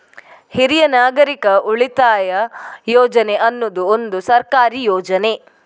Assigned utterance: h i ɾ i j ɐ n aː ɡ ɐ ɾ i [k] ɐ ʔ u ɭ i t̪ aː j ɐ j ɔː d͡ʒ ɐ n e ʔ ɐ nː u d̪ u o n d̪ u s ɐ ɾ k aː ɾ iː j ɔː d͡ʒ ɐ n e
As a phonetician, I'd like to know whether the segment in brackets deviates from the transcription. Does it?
no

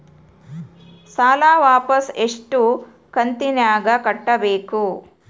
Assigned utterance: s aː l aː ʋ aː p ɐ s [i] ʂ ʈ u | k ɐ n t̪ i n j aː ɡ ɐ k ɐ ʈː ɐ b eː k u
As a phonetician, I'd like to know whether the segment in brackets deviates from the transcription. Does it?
yes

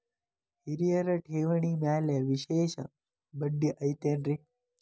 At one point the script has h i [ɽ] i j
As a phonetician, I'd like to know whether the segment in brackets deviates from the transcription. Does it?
yes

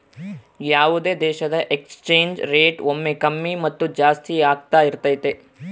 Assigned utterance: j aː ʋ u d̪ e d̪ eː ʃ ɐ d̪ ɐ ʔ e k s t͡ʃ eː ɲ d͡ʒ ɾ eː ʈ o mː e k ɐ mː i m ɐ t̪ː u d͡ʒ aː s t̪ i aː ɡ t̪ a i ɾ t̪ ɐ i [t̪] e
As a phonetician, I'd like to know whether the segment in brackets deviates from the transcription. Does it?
no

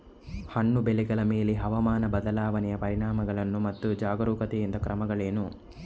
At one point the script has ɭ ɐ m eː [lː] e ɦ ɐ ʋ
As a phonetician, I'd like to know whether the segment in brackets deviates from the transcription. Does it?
yes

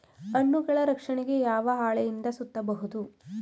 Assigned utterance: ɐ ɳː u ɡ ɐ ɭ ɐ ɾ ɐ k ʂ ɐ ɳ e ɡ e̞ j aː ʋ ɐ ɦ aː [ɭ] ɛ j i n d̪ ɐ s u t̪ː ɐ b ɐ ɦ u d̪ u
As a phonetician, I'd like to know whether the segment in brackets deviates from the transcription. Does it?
no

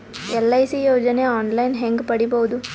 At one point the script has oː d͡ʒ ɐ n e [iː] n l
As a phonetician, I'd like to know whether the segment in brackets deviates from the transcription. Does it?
yes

